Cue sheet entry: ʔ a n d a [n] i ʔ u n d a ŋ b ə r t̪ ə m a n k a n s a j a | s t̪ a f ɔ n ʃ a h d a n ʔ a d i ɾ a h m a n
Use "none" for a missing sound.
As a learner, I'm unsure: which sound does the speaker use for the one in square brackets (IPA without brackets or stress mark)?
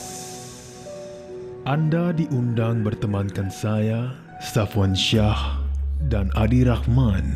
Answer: d